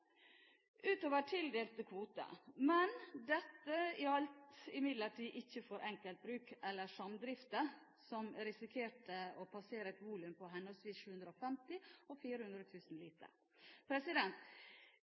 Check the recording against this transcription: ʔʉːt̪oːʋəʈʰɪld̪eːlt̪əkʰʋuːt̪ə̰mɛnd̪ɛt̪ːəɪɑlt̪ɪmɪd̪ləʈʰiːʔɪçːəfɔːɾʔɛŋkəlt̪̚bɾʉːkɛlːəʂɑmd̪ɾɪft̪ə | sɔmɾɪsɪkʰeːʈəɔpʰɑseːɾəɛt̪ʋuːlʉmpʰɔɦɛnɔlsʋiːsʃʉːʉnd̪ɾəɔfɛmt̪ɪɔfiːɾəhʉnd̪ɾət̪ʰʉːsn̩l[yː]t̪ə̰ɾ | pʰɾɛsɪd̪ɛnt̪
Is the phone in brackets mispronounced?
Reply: yes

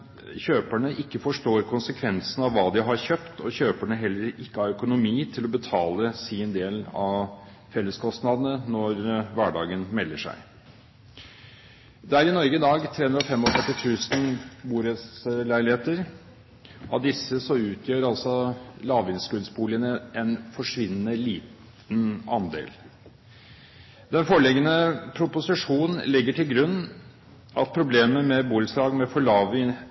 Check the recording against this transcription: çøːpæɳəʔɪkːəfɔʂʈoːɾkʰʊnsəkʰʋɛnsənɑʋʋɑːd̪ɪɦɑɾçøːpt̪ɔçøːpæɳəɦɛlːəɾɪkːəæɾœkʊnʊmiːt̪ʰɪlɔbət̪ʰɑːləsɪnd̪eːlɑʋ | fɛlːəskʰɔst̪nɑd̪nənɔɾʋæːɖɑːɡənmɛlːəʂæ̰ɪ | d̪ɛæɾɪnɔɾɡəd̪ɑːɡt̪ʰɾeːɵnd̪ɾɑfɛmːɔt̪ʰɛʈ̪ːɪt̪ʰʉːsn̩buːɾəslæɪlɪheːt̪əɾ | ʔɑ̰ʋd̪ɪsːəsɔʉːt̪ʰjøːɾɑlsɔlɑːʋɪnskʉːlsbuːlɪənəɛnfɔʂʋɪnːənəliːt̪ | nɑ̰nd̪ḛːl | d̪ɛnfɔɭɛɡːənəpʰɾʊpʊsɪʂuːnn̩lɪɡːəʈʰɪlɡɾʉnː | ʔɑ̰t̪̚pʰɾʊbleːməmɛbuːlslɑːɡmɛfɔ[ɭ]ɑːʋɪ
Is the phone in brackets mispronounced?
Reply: no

